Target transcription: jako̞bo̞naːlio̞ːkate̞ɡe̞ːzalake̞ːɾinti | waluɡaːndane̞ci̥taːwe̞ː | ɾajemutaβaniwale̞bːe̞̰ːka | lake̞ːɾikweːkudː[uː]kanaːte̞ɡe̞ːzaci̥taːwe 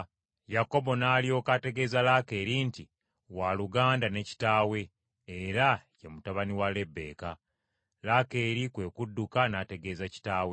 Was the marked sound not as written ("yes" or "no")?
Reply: yes